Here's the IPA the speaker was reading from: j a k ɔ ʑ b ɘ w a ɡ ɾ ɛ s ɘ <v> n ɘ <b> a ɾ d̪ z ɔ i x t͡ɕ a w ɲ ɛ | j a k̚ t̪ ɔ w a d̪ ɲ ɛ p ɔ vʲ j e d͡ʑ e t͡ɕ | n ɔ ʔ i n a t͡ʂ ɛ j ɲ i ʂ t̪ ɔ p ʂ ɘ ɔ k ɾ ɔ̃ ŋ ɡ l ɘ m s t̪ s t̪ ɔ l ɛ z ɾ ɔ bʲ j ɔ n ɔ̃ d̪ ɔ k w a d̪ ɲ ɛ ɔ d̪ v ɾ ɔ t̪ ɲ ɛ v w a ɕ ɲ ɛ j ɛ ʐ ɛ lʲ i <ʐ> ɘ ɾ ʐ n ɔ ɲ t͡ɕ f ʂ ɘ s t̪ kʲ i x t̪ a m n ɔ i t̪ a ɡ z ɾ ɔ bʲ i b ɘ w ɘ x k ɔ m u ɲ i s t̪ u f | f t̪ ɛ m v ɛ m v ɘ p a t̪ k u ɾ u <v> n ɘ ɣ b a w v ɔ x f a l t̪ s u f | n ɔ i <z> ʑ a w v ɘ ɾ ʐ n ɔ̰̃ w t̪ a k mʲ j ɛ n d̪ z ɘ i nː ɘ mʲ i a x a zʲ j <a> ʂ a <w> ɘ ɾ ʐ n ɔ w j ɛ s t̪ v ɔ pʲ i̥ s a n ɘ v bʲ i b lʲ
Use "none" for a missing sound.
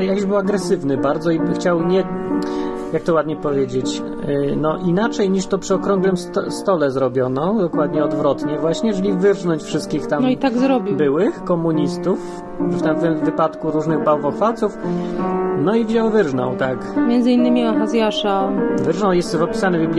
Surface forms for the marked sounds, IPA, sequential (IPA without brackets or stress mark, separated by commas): v, b, v, ʐ, v, a, v